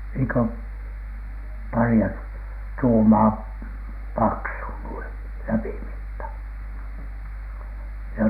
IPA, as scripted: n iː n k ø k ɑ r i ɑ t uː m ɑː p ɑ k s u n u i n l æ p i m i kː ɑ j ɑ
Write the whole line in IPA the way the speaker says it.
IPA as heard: n iː ŋ k ø p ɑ r i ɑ t uː m ɑː p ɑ k s u n u i n l æ p i m i tː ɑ j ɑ